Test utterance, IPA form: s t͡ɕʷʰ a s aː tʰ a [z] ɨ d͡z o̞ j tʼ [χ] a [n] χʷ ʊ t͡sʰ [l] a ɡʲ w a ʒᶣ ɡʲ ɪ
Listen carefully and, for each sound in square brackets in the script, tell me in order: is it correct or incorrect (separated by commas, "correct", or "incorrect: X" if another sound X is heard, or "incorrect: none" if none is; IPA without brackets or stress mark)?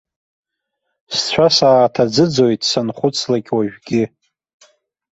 incorrect: d͡z, incorrect: s, correct, correct